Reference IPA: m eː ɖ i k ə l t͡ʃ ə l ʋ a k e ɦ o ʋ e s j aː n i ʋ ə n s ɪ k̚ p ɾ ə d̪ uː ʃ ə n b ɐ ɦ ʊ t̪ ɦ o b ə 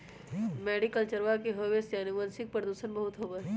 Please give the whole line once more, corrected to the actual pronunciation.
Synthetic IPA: m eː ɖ i k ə l t͡ʃ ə ɾ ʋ a k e ɦ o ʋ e s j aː n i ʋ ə n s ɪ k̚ p ɾ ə d̪ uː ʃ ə n b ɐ ɦ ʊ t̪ ɦ o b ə